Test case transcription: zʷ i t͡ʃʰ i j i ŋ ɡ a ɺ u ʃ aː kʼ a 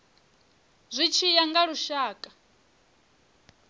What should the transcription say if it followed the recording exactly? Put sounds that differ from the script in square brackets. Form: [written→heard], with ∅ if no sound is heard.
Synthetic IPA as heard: zʷ i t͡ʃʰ i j [i→a] ŋ ɡ a ɺ u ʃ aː kʼ a